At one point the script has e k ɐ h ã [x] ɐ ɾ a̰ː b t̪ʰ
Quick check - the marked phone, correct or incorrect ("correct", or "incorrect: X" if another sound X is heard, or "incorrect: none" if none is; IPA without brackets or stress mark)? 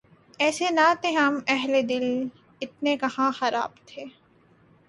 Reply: correct